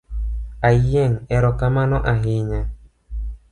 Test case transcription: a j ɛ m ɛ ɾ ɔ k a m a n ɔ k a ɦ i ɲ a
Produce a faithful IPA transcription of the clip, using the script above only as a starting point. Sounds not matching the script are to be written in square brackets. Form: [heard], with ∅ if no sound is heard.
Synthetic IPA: a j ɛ [ŋ] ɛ ɾ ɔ k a m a n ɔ [ʔ] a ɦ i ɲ a